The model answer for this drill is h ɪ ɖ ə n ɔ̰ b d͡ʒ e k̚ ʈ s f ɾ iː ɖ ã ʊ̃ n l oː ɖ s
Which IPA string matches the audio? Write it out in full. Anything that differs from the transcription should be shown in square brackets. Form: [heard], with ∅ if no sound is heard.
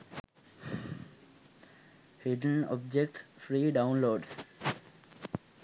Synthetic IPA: h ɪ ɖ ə n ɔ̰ b d͡ʒ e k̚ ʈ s f ɾ iː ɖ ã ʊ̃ n l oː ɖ s